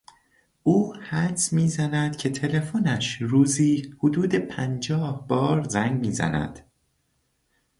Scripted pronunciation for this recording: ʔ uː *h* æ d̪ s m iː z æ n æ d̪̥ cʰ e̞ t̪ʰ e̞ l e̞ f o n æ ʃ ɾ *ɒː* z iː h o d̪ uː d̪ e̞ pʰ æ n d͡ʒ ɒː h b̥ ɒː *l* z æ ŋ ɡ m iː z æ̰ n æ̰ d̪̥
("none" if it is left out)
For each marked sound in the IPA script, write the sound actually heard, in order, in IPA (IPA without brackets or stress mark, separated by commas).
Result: h, uː, ɾ